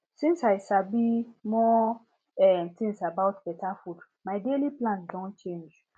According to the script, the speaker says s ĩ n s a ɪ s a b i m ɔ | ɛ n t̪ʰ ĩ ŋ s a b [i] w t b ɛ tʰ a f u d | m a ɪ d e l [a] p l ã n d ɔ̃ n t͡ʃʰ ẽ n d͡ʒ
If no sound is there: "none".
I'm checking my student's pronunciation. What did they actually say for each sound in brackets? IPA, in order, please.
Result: a, i

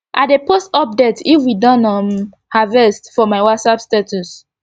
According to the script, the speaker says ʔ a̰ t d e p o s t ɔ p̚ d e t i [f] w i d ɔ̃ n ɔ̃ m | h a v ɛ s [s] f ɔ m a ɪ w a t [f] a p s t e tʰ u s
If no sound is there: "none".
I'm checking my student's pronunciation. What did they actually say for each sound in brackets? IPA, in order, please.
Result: f, t, s

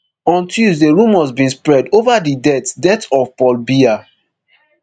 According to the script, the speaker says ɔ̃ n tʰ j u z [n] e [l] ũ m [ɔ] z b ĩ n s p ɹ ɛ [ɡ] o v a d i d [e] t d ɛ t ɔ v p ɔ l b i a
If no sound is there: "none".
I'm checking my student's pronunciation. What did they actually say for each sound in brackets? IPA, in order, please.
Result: d, ɹ, ɔ, d, ɛ

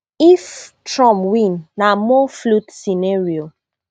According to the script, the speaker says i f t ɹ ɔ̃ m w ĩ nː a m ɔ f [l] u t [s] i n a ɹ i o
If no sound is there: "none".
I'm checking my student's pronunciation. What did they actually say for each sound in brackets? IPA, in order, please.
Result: l, s

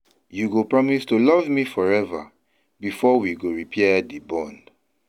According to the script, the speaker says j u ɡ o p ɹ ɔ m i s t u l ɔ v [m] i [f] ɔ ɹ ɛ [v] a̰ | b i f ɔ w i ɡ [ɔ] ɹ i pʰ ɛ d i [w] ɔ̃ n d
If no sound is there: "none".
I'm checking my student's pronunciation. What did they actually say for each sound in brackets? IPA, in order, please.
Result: m, f, v, o, b

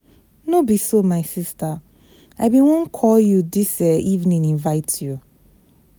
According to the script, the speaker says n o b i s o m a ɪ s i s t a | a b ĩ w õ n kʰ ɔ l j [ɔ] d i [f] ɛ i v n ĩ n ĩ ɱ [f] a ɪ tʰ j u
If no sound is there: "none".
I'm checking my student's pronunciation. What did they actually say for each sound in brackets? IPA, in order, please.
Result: u, s, v

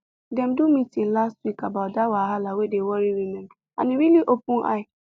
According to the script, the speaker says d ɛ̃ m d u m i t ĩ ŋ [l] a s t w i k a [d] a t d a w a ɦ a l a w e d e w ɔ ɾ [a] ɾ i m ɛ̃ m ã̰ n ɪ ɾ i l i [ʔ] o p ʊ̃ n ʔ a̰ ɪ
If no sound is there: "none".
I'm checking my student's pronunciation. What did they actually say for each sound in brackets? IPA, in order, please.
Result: l, b, i, ʔ

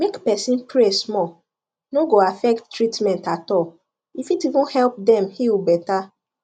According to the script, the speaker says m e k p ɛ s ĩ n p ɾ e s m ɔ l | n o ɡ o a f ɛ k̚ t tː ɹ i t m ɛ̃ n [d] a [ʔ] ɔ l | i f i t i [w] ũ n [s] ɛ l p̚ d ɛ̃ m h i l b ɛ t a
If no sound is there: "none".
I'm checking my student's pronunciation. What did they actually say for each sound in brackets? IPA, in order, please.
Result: t, t, v, h

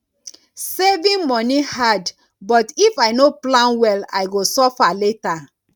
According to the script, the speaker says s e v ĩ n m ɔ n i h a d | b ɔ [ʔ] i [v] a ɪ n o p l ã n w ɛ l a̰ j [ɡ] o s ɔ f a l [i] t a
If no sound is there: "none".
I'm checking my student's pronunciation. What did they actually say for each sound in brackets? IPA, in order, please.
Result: t, f, ɡ, e

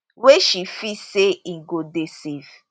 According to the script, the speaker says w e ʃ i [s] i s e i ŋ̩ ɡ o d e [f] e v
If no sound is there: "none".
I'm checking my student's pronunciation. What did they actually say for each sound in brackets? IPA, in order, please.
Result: f, s

